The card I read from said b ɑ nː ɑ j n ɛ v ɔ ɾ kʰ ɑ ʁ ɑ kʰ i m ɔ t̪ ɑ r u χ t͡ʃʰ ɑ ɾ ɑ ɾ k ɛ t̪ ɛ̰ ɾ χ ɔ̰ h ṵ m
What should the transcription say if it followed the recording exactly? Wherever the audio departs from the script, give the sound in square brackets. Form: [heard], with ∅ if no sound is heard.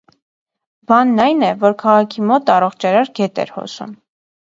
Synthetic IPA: b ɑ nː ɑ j n ɛ v ɔ ɾ kʰ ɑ ʁ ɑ kʰ i m ɔ t̪ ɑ r [ɔ] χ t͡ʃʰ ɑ ɾ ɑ ɾ [ɡ] ɛ t̪ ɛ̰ ɾ [h] ɔ̰ [s] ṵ m